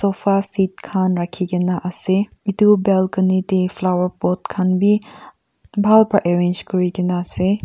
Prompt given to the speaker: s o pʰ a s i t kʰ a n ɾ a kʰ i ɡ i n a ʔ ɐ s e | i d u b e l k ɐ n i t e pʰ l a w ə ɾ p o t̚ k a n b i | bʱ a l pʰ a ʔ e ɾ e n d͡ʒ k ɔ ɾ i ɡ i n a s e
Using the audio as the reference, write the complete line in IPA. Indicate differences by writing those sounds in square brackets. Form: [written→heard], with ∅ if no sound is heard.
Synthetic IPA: s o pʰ a s i t kʰ a n ɾ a kʰ i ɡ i n a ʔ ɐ s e | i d u b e l k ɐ n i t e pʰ l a w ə ɾ p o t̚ [k→kʰ] a n b i | bʱ a l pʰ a ʔ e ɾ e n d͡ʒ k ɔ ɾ i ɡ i n a s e

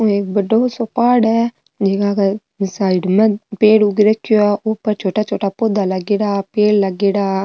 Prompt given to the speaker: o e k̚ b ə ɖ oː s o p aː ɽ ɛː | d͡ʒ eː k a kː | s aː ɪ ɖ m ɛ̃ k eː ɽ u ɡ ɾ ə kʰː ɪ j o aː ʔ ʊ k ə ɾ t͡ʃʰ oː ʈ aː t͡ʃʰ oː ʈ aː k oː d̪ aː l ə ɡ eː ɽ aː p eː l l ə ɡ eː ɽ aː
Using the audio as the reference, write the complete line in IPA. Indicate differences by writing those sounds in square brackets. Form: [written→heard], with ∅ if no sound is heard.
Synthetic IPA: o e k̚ b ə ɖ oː s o p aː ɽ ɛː | d͡ʒ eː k a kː | s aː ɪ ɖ m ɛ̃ [k→p] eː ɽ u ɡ ɾ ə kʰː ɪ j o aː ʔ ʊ [k→p] ə ɾ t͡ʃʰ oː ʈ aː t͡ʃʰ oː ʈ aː [k→p] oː d̪ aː l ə ɡ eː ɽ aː p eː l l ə ɡ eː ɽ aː

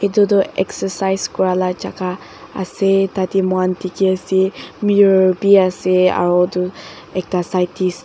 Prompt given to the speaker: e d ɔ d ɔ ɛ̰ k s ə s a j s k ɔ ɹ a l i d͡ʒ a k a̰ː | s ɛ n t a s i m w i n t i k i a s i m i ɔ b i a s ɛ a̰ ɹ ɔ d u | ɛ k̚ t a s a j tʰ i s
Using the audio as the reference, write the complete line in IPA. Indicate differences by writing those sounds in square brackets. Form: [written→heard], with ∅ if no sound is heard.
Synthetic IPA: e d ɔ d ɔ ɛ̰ k s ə s a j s k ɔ ɹ a l [i→a] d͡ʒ a k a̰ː | s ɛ [n→∅] t a [s→t] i m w [i→a] n t i k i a s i m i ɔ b i a s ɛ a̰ ɹ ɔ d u | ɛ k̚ t a s a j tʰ i s

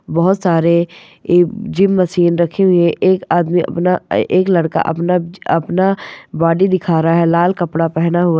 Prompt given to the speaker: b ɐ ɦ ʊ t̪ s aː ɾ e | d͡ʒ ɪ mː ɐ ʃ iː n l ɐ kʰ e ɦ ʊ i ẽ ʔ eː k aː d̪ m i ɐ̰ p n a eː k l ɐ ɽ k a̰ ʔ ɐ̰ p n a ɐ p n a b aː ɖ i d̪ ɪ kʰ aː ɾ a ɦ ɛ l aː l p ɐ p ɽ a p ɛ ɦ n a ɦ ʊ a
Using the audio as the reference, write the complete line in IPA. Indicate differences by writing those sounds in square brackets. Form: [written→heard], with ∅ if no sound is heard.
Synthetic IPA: b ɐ ɦ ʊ t̪ s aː ɾ e | d͡ʒ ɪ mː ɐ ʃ iː n [l→ɾ] ɐ kʰ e ɦ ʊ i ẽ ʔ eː k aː d̪ m i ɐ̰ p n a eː k l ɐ ɽ k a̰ ʔ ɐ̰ p n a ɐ p n a b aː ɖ i d̪ ɪ kʰ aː ɾ a ɦ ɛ l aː l [p→k] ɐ p ɽ a p ɛ ɦ n a ɦ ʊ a

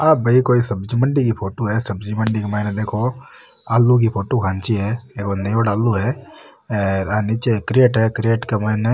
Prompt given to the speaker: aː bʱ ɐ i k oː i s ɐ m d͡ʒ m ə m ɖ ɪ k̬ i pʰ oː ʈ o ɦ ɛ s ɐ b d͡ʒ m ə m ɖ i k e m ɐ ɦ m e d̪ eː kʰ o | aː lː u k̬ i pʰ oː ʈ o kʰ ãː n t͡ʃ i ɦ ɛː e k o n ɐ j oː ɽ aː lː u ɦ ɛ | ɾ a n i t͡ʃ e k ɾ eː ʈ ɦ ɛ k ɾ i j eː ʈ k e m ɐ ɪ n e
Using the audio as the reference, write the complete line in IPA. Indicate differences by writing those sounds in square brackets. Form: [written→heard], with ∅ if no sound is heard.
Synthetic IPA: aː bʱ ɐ i k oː i s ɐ [m→b] d͡ʒ m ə [m→ɳ] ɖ [ɪ→i] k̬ i pʰ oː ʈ o ɦ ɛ s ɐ b d͡ʒ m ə [m→ɳ] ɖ i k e m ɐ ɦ [m→n] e d̪ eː kʰ o | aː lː u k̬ i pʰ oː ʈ o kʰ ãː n t͡ʃ i ɦ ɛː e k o n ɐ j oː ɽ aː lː u ɦ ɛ | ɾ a n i t͡ʃ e k ɾ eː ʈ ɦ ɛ k ɾ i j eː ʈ k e m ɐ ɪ n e

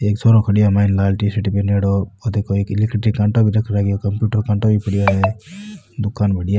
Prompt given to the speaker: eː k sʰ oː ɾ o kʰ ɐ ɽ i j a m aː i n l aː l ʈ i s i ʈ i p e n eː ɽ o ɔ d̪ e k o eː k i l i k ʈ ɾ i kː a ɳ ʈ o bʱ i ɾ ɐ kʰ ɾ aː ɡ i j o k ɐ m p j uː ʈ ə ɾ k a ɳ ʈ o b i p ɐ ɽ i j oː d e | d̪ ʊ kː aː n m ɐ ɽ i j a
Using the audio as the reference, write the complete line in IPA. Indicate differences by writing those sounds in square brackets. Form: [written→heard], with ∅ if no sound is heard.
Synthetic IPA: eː k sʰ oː ɾ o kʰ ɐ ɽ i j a m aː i n l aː l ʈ i s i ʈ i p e n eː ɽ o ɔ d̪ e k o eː k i l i k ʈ ɾ i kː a ɳ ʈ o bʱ i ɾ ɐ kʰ ɾ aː ɡ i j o k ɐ m p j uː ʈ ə ɾ k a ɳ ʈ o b i p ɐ ɽ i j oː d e | d̪ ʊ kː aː n [m→b] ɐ ɽ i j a

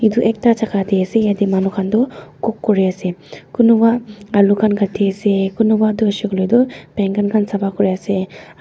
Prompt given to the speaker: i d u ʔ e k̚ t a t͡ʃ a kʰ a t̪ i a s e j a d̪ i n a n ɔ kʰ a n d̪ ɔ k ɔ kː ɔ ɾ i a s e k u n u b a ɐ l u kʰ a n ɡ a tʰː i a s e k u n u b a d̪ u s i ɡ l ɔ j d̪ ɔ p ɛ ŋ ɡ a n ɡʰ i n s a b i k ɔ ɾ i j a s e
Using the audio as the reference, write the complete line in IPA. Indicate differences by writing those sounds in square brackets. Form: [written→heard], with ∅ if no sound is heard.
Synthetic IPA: i d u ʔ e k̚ t a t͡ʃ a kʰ a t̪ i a s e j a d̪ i [n→m] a n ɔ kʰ a n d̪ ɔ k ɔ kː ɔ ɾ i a s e k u n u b a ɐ l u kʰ a n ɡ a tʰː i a s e k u n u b a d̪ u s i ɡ l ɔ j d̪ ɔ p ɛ ŋ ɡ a n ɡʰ [i→a] n s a b [i→a] k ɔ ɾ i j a s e

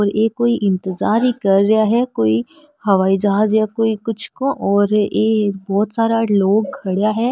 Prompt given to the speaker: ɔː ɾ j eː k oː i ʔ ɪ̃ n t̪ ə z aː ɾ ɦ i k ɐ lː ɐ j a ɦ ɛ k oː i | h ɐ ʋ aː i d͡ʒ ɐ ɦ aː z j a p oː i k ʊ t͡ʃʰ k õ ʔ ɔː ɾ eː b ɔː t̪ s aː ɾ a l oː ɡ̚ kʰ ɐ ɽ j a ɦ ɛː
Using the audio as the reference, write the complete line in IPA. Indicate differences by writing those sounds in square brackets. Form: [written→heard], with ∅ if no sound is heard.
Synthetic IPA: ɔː ɾ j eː k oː i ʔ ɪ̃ n t̪ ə z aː ɾ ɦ i k ɐ [lː→ɾː] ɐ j a ɦ ɛ k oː i | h ɐ ʋ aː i d͡ʒ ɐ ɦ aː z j a [p→k] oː i k ʊ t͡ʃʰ k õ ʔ ɔː ɾ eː b ɔː t̪ s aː ɾ a l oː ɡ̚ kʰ ɐ ɽ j a ɦ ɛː

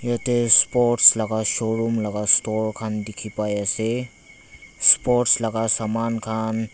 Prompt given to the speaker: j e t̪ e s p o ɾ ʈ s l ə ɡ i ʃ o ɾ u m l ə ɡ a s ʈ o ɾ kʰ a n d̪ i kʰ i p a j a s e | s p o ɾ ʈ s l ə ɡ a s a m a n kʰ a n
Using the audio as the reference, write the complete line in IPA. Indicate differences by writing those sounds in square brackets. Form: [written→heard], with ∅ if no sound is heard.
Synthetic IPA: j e t̪ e s p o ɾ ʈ s l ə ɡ [i→a] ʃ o ɾ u m l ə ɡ a s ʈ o ɾ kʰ a n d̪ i kʰ i p a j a s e | s p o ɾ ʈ s l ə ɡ a s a m a n kʰ a n

